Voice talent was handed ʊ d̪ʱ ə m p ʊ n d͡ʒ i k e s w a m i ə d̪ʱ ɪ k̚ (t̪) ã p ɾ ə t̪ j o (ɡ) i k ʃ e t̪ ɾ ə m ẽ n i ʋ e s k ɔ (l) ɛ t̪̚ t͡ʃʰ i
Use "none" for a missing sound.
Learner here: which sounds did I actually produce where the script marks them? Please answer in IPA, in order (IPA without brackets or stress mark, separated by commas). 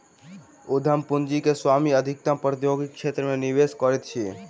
t̪, ɡ, ɾ